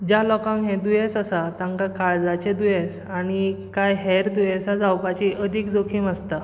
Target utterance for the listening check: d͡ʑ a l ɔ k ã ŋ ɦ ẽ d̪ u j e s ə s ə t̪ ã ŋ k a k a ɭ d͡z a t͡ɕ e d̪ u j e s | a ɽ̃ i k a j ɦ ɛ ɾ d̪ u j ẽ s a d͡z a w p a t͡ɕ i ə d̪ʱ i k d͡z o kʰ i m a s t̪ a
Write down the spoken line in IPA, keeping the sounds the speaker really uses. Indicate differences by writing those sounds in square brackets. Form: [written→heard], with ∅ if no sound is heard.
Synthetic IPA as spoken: d͡ʑ a l ɔ k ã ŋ ɦ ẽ d̪ u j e s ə s [ə→a] t̪ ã ŋ k a k a ɭ d͡z a t͡ɕ e d̪ u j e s | a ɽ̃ i k a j ɦ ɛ ɾ d̪ u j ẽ s a d͡z a w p a t͡ɕ i ə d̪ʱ i k d͡z o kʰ i m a s t̪ a

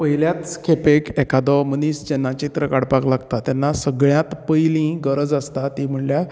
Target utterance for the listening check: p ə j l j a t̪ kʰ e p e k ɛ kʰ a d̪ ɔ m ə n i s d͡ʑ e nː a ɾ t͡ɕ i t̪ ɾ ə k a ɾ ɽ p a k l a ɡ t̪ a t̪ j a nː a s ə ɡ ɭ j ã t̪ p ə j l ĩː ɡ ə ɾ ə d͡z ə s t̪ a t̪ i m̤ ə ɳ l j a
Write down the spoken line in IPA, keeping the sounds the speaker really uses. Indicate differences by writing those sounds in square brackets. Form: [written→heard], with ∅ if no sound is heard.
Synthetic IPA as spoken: p ə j l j a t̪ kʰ e p e k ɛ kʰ a d̪ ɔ m ə n i s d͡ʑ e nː a [ɾ→∅] t͡ɕ i t̪ ɾ ə k a [ɾ→∅] ɽ p a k l a ɡ t̪ a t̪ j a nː a s ə ɡ ɭ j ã t̪ p ə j l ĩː ɡ ə ɾ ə d͡z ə s t̪ a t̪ i m̤ ə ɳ l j a

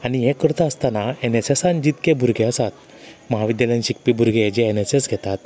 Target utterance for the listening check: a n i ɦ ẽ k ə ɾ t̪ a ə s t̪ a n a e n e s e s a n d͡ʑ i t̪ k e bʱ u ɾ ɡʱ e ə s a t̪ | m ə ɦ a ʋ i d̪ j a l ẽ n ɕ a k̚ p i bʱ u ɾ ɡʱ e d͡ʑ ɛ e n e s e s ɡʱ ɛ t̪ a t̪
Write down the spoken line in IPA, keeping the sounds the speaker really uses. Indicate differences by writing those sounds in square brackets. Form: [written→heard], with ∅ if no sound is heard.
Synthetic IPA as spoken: a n i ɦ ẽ k ə ɾ t̪ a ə s t̪ a n a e n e s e s a n d͡ʑ i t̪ k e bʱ u ɾ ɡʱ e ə s a t̪ | m ə ɦ a ʋ i d̪ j a l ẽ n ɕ [a→i] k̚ p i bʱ u ɾ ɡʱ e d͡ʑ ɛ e n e s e s ɡʱ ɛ t̪ a t̪

